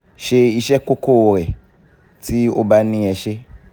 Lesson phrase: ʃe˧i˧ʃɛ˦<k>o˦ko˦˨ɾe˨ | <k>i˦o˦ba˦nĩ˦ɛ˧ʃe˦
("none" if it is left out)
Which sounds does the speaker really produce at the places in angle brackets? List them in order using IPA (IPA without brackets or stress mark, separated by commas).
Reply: k, t